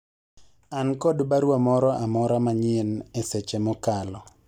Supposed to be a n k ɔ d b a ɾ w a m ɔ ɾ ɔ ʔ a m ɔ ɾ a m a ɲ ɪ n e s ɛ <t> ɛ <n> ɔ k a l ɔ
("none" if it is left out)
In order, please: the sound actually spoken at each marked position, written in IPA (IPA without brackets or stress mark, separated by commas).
t͡ʃ, m